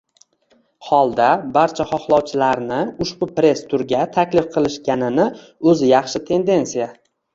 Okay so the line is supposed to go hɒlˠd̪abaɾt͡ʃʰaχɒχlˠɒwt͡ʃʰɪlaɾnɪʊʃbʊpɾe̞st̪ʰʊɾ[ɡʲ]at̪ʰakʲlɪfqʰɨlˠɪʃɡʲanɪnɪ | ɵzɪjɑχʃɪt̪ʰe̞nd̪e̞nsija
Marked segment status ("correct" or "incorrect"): correct